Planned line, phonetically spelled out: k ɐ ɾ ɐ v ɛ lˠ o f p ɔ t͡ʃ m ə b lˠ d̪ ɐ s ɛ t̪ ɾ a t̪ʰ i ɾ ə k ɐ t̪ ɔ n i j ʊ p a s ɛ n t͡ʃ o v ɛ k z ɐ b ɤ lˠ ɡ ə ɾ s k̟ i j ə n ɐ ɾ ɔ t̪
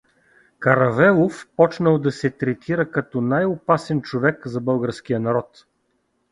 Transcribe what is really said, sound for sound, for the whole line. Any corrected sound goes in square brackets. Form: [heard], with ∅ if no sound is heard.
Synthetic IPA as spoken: k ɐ ɾ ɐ v ɛ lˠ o f p ɔ t͡ʃ [n] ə [∅] lˠ d̪ ɐ s ɛ t̪ ɾ [ɛ] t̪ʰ i ɾ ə k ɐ t̪ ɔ n [a] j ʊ p a s ɛ n t͡ʃ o v ɛ k z ɐ b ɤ lˠ ɡ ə ɾ s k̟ i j ə n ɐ ɾ ɔ t̪